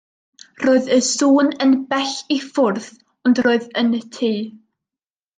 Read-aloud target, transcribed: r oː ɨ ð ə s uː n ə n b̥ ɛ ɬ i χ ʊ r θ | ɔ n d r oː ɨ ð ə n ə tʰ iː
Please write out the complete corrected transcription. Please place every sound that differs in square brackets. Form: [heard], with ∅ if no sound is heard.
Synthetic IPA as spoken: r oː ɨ ð ə s uː n ə n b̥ ɛ ɬ i [f] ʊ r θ | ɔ n d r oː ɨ ð ə n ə tʰ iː

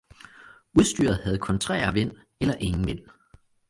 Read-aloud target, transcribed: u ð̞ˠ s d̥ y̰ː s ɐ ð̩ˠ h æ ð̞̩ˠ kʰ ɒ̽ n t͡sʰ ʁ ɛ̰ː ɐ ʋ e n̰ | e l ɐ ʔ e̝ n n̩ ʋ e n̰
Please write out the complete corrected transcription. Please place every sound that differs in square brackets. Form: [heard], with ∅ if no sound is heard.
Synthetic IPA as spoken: u ð̞ˠ s d̥ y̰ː [∅] ɐ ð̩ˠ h æ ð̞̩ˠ kʰ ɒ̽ n t͡sʰ ʁ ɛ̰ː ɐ ʋ e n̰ | e l ɐ ʔ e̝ [ŋ] n̩ ʋ e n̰

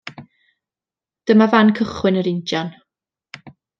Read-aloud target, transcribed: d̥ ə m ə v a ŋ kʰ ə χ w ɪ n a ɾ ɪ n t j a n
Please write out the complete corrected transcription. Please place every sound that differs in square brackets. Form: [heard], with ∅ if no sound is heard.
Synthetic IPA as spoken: d̥ ə m [a] v a [n] kʰ ə χ w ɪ n [ə] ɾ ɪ n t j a n

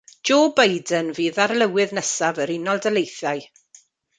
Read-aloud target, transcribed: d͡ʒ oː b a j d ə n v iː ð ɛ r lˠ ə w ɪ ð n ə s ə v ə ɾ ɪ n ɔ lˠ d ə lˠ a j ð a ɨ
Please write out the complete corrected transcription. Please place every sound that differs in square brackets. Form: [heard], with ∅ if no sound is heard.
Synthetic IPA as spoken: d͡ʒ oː b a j d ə n v iː ð [a] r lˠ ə w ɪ ð n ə s [a] v ə ɾ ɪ n ɔ lˠ d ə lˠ [e] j [θ] a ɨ

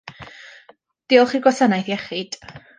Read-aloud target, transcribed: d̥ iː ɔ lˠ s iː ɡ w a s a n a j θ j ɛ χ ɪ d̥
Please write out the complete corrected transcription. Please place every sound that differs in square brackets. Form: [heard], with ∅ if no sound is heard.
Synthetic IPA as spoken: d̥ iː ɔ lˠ [χ] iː ɡ w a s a n a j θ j ɛ χ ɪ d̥

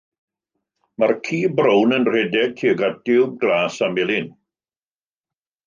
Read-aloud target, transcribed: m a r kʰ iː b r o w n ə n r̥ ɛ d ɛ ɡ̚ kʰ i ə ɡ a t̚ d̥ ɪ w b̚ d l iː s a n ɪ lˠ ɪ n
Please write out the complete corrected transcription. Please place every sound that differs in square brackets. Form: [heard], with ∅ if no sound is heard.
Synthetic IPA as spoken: m a r kʰ iː b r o w n ə n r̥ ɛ d ɛ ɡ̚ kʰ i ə ɡ a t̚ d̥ ɪ w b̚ [ɡ] l [aː] s a [m] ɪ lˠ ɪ n

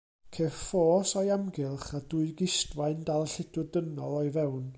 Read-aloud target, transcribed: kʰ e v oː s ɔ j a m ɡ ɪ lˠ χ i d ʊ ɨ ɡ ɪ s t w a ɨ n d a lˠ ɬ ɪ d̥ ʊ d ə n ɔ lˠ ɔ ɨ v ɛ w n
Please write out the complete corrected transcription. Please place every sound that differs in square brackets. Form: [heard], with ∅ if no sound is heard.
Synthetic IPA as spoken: kʰ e [f] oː s ɔ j a m ɡ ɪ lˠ χ [a] d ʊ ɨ ɡ ɪ s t w a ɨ n d a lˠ ɬ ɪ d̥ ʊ d ə n ɔ lˠ ɔ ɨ v ɛ w n

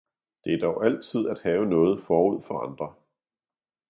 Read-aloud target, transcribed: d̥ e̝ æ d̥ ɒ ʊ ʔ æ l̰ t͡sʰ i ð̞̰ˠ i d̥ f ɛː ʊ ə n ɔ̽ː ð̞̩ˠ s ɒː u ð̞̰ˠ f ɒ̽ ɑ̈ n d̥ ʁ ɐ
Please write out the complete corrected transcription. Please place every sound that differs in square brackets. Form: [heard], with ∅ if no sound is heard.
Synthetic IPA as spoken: d̥ e̝ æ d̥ ɒ ʊ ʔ æ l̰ t͡sʰ i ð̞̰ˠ [æ] d̥ [h] ɛː ʊ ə n ɔ̽ː ð̞̩ˠ [f] ɒː u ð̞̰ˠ f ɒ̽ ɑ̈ n d̥ ʁ ɐ

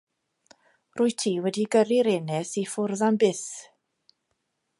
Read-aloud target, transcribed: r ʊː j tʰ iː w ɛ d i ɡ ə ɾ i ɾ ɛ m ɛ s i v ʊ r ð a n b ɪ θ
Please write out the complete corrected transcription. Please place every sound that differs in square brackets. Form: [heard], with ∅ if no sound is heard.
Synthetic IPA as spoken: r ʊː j tʰ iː w ɛ d i ɡ ə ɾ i ɾ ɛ [n] ɛ s i [f] ʊ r ð a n b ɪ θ

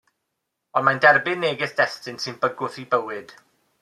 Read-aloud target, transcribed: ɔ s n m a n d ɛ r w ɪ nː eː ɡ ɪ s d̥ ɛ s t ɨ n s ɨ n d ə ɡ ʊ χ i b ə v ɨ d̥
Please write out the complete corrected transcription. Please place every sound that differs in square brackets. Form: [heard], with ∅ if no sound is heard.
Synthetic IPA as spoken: ɔ [∅] n m a n d ɛ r [b] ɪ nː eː ɡ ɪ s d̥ ɛ s t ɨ n s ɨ n [b] ə ɡ ʊ [θ] i b ə [w] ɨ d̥

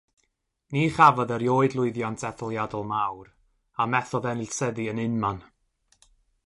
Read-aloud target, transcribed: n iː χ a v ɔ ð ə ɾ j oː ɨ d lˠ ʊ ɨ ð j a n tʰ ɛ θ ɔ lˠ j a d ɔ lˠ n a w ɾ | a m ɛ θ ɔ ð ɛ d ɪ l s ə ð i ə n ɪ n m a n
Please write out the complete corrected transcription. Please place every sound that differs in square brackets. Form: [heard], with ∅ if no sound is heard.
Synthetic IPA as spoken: n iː χ a v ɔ ð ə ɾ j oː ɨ d lˠ ʊ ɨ ð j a n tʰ ɛ θ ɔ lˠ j a d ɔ lˠ [m] a w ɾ | a m ɛ θ ɔ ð ɛ [n] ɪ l s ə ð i ə n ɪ n m a n

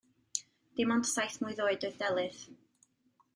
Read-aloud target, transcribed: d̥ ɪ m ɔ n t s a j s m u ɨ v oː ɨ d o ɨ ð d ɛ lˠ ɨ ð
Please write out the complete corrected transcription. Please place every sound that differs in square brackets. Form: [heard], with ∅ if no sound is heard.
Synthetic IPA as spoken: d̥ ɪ m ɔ n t s a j [θ] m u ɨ [ð] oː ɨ d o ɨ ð d ɛ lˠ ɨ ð

